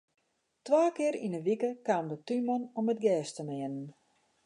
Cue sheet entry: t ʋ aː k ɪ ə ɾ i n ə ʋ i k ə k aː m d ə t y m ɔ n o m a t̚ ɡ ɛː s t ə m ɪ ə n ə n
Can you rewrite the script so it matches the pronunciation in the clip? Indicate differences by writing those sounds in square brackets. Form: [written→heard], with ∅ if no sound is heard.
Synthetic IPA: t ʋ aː k ɪ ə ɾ i n ə ʋ i k ə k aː m d ə t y m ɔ n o m [a→ə] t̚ ɡ ɛː s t ə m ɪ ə n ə n